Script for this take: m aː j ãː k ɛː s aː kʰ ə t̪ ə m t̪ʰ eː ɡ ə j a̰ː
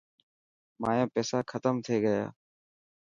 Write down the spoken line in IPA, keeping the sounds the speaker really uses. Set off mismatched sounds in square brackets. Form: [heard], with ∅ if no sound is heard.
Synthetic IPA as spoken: m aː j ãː [p] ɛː s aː kʰ ə t̪ ə m t̪ʰ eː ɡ ə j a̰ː